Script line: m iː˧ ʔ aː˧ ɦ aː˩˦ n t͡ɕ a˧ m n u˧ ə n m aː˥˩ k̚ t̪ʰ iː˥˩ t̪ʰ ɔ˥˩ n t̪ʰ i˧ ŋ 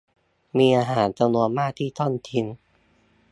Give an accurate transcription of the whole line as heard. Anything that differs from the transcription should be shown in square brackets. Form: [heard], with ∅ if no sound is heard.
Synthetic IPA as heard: m iː˧ ʔ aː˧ ɦ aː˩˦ n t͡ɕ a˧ m n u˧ ə n m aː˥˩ k̚ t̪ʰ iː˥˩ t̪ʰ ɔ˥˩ n t̪ʰ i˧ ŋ